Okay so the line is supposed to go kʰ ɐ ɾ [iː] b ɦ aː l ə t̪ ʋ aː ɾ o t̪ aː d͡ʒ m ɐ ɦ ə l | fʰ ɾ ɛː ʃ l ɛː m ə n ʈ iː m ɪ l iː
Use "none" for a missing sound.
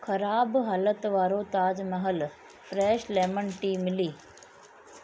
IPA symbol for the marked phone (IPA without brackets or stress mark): aː